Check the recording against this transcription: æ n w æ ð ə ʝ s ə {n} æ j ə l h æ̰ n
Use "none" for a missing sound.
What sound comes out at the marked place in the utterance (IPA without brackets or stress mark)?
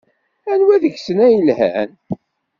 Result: n